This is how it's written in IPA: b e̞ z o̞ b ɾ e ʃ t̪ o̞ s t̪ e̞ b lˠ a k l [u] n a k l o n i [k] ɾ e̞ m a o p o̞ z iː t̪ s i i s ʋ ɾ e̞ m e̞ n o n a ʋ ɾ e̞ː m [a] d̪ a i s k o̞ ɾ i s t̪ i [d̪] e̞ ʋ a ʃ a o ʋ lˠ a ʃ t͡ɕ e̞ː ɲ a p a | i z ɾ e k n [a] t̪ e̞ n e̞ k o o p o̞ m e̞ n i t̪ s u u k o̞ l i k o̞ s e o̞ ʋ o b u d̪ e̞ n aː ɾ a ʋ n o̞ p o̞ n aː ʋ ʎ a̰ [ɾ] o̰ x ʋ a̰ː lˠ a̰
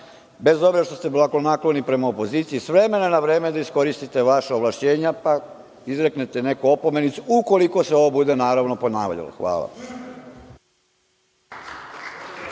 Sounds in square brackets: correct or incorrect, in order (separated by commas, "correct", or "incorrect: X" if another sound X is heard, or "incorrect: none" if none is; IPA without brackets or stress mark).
incorrect: o, incorrect: p, incorrect: e, incorrect: t̪, incorrect: e, incorrect: l